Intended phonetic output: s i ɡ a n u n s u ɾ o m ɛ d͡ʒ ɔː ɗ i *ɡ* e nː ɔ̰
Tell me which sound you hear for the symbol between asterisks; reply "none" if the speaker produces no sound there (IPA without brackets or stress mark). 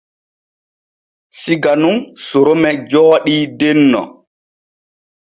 d